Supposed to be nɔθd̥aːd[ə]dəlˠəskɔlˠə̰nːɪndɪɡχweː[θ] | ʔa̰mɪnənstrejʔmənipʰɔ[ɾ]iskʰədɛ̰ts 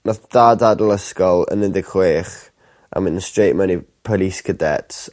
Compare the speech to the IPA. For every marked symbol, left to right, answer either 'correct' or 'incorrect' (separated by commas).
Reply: incorrect, incorrect, incorrect